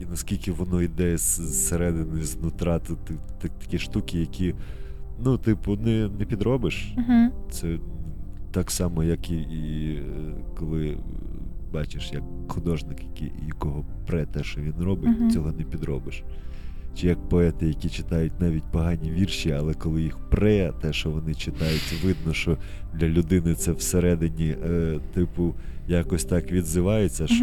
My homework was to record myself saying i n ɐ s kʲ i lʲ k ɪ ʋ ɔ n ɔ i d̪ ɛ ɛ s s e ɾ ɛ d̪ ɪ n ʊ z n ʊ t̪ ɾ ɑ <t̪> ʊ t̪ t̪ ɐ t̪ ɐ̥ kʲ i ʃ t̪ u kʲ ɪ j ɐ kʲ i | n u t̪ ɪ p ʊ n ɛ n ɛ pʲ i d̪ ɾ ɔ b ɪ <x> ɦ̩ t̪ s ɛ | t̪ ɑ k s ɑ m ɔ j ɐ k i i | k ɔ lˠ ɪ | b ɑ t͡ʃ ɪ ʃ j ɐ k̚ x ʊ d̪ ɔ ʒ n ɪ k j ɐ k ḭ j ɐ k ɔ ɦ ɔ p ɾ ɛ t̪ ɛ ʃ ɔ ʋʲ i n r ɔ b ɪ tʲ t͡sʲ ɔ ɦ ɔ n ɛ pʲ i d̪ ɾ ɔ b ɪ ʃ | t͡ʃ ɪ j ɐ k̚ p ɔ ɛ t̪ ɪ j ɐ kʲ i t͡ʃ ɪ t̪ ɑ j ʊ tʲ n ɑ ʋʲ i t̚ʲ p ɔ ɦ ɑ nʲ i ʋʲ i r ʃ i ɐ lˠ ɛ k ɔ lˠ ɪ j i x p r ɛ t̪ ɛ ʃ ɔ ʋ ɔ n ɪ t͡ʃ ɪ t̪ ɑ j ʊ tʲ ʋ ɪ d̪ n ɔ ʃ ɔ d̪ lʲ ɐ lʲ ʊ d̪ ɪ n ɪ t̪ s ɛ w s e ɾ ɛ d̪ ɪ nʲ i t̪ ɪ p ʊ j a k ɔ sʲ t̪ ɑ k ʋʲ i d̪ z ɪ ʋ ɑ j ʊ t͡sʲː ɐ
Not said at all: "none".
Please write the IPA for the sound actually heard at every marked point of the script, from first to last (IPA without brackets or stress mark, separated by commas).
t̪, ʃ